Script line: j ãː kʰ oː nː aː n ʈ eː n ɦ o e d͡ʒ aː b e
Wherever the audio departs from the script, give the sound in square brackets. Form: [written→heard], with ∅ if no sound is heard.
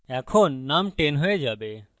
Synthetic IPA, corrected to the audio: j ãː kʰ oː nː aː [n→m] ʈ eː n ɦ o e d͡ʒ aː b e